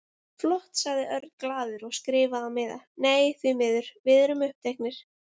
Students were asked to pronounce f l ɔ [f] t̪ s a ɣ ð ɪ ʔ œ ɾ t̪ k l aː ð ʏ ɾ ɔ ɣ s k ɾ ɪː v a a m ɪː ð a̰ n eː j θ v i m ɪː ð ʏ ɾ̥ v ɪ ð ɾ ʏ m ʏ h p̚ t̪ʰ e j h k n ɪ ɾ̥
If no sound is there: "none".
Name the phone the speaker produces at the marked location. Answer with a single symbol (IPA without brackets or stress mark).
h